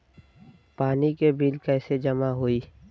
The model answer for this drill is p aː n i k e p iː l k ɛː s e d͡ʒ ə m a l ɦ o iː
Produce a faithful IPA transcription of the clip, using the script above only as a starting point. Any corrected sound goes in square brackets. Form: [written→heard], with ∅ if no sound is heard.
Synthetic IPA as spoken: p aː n i k e [p→b] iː l k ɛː s e d͡ʒ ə m a [l→∅] ɦ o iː